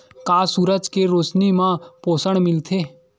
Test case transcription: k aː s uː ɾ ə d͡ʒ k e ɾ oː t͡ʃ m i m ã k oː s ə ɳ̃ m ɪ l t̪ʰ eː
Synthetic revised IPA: k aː s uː ɾ ə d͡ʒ k e ɾ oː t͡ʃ n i m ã p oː s ə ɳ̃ m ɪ l t̪ʰ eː